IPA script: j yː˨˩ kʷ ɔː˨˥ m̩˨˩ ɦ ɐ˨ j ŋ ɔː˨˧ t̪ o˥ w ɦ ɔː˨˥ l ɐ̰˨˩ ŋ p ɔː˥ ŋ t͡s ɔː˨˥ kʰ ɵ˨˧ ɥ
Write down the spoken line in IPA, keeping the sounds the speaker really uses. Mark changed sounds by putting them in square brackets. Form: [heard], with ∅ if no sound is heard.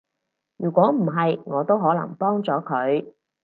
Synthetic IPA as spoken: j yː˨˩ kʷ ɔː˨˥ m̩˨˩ ɦ ɐ˨ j ŋ ɔː˨˧ t̪ o˥ w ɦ ɔː˨˥ l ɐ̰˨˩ ŋ p ɔː˥ ŋ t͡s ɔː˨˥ kʰ ɵ˨˧ ɥ